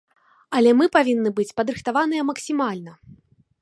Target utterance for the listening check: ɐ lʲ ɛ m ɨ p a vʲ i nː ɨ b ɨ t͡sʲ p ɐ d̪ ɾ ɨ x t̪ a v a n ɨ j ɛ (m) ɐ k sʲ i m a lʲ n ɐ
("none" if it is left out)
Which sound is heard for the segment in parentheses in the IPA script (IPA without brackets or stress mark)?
m